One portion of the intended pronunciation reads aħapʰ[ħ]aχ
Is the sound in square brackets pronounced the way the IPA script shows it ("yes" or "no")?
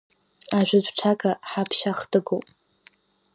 no